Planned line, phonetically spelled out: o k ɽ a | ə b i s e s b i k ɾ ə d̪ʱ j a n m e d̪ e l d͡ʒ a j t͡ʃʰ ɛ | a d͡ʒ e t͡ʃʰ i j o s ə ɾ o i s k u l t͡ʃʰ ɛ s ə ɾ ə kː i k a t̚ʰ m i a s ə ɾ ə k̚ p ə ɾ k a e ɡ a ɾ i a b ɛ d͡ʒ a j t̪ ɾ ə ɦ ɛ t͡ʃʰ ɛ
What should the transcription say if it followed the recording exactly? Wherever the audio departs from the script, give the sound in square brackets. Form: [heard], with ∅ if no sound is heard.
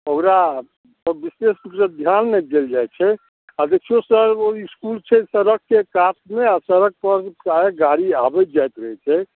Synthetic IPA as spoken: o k [ɾ] a | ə b i s e s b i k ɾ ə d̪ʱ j a n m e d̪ e l d͡ʒ a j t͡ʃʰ ɛ | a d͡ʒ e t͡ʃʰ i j o s ə ɾ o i s k u l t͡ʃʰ ɛ s ə ɾ ə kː [e] k a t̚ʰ m [e] a s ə ɾ ə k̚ p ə ɾ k a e ɡ a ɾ i a b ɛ d͡ʒ a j t̪ ɾ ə ɦ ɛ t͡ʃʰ ɛ